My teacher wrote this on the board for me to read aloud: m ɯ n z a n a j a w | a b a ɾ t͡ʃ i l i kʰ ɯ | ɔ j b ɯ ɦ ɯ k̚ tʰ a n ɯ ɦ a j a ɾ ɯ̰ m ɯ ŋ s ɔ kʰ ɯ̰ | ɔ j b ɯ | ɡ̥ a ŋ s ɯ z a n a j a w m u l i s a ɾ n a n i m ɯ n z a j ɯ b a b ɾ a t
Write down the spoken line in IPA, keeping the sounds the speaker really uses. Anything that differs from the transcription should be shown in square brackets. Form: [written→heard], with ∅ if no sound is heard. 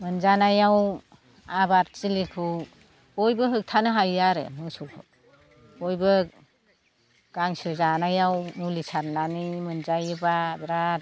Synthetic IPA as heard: m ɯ n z a n a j a w | a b a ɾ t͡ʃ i l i kʰ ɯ | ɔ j b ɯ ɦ ɯ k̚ tʰ a n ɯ ɦ a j a ɾ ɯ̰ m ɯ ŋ s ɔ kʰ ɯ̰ | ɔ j b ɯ | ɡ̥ a ŋ s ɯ z a n a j a w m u l i s a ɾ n a n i m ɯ n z a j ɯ b a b ɾ a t